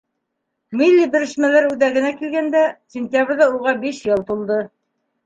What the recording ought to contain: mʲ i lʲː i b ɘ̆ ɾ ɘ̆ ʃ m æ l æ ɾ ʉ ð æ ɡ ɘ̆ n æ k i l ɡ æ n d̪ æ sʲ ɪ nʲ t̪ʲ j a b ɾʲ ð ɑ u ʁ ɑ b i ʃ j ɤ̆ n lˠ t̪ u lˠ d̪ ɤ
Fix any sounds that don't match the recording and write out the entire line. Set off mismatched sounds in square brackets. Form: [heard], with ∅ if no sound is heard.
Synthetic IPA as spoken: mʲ i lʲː i b ɘ̆ ɾ ɘ̆ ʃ m æ l æ ɾ ʉ ð æ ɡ ɘ̆ n æ k i l ɡ æ n d̪ æ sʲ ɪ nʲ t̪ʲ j a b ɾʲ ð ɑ u ʁ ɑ b i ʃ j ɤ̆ [∅] lˠ t̪ u lˠ d̪ ɤ